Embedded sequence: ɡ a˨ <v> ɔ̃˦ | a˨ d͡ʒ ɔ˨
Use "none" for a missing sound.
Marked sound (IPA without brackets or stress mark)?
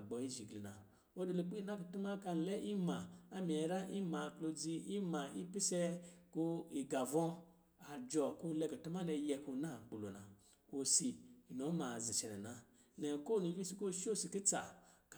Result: v